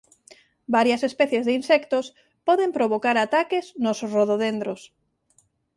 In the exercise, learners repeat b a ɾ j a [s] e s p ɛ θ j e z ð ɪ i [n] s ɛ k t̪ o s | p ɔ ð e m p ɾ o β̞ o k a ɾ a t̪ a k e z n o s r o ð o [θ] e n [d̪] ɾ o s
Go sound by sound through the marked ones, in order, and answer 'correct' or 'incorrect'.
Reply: correct, correct, incorrect: ð, correct

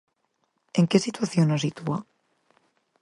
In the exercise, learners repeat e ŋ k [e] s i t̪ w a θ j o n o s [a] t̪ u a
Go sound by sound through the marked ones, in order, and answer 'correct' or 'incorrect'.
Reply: correct, incorrect: i

